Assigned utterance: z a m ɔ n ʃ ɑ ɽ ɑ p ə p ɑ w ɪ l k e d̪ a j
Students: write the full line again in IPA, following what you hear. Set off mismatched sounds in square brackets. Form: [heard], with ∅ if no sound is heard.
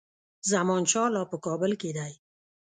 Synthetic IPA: z a m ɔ n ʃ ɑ [l] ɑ p ə [k] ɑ [b] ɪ l k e d̪ a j